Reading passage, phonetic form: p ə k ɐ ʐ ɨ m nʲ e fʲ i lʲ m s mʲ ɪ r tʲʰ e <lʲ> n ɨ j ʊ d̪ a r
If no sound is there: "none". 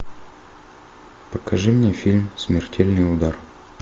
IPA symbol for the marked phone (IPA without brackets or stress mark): lʲ